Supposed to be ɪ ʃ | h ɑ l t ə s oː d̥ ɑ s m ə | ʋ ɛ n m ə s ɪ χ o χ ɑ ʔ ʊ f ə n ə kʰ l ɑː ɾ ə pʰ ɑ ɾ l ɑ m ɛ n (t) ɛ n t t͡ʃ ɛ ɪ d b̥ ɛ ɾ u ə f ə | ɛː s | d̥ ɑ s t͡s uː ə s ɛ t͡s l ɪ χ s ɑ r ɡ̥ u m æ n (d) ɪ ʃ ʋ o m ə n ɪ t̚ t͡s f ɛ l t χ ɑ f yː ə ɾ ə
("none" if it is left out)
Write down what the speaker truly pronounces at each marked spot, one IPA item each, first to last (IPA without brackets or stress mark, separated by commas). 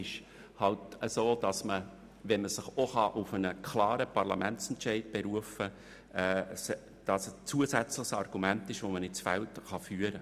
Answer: t͡s, t